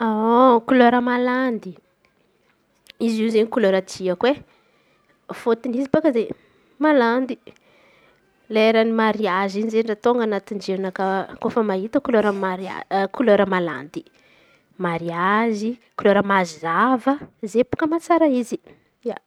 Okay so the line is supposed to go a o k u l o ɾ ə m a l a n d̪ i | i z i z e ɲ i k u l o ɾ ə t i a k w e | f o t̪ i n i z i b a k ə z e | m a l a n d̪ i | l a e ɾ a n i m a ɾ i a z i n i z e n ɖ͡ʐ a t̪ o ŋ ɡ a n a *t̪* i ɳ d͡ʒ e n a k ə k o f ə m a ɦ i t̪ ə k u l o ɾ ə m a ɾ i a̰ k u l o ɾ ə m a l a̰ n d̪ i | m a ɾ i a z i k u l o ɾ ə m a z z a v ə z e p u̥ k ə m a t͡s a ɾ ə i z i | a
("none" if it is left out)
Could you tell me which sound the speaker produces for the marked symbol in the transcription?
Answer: t̪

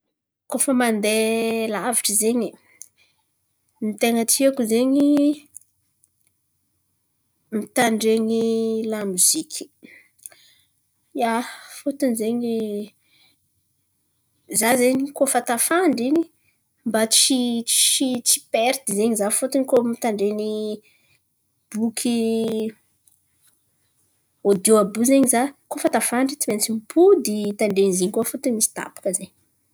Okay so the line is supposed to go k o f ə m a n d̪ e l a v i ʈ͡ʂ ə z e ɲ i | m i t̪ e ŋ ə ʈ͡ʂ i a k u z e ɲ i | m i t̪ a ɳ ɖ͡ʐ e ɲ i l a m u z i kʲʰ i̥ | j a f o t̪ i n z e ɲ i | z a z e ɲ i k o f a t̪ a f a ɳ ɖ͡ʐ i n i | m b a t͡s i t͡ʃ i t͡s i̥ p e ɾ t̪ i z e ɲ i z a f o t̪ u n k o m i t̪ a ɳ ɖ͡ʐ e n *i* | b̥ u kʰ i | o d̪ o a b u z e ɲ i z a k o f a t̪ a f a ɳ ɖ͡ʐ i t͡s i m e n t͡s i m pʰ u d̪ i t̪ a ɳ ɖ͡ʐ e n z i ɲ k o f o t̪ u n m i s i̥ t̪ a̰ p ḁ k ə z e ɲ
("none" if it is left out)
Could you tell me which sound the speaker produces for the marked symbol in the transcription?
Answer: i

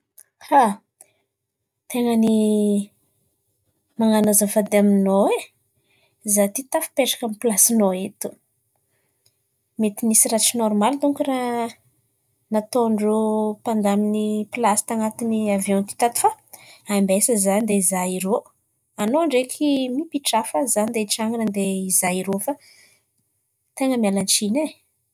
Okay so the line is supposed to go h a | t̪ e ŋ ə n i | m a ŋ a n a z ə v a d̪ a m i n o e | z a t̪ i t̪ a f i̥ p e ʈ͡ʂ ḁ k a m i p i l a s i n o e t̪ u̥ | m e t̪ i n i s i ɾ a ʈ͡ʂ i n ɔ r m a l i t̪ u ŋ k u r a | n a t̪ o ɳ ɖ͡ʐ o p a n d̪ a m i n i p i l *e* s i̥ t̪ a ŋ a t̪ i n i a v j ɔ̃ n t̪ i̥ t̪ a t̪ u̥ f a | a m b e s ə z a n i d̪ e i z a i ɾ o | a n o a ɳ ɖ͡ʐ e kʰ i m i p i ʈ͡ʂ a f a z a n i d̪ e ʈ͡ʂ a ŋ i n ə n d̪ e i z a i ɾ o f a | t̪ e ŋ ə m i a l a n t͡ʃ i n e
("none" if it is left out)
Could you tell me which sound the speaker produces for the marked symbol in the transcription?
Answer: a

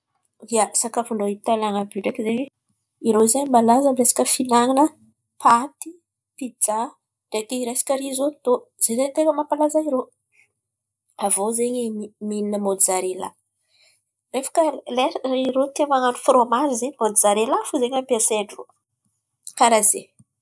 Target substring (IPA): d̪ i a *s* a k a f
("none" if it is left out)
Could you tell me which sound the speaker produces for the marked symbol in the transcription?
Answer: s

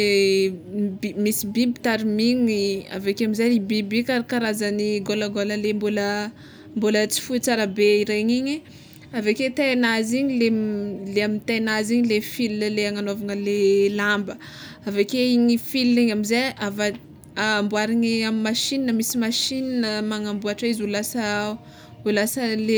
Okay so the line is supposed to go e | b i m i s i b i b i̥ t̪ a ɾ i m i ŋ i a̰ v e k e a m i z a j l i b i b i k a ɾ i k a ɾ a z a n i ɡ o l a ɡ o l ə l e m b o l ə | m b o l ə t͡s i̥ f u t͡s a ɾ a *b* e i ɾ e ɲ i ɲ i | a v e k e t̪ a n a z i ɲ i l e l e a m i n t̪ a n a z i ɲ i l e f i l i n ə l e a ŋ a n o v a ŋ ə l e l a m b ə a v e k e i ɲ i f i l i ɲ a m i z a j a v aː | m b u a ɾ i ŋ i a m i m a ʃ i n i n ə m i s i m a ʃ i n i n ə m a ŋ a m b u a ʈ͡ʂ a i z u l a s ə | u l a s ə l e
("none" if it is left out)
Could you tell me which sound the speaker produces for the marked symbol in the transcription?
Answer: b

